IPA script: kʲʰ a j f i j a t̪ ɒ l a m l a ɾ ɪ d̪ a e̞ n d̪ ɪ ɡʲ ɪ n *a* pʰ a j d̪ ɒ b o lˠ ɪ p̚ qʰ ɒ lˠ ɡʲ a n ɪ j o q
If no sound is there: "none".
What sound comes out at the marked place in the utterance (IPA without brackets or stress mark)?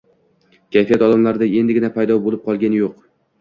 a